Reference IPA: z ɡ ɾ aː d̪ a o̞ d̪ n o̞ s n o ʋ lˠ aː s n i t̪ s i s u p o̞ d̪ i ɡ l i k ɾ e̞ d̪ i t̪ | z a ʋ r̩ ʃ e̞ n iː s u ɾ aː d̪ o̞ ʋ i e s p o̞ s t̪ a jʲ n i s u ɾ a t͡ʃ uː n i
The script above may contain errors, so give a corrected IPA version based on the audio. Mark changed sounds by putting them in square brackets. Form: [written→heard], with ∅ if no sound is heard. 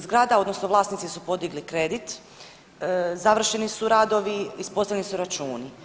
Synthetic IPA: z ɡ ɾ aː d̪ a o̞ d̪ n o̞ s n o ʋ lˠ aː s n i t̪ s i s u p o̞ d̪ i ɡ l i k ɾ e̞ d̪ i t̪ | z a ʋ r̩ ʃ e̞ n [iː→i] s u ɾ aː d̪ o̞ ʋ i [e→i] s p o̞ s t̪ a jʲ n i s u ɾ a t͡ʃ uː n i